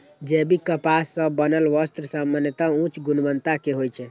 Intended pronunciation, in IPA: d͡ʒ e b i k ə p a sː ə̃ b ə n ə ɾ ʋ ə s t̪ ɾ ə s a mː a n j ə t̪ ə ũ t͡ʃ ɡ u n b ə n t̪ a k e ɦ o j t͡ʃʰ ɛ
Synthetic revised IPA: d͡ʒ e b i k ə p a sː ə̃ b ə n ə l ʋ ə s t̪ ɾ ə s a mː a n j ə t̪ a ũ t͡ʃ ɡ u n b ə n t̪ a k e ɦ o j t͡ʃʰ ɛ